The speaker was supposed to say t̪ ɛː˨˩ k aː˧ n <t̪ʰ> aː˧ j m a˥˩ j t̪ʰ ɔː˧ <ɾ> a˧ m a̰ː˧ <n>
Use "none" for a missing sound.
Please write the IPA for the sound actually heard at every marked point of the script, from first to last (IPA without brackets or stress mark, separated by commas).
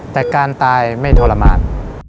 t̪, l, n